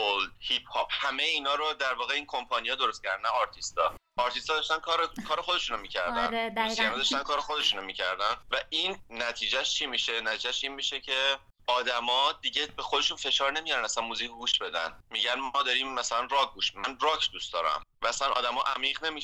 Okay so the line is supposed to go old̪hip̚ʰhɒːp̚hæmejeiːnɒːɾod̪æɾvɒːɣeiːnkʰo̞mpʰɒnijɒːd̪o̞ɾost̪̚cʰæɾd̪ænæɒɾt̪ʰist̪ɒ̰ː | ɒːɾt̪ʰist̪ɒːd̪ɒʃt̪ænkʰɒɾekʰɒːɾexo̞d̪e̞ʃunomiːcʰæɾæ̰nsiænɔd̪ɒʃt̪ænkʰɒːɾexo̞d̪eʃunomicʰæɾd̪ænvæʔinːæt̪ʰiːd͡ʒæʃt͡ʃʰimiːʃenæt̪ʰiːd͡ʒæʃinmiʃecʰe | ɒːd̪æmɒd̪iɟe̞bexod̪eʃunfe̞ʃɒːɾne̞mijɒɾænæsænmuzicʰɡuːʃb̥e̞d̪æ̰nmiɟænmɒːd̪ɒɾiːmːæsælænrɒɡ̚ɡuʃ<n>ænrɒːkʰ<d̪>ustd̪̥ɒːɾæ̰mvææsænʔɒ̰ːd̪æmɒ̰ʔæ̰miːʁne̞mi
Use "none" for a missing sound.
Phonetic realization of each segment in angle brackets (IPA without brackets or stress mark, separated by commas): m, d̪